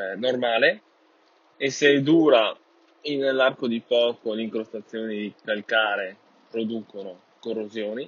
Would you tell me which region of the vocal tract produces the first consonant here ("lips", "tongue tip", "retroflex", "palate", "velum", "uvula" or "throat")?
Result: tongue tip